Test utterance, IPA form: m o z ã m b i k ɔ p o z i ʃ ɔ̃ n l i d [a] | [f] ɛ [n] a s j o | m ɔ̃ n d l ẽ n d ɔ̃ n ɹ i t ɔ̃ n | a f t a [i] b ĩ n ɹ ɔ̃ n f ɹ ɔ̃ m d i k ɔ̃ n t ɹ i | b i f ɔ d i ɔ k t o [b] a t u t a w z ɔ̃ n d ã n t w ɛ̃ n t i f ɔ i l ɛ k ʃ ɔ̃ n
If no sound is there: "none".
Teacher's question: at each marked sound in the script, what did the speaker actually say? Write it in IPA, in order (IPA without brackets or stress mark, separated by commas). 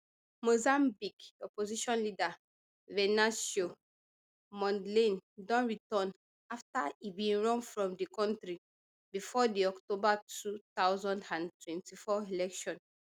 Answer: a, v, n, i, b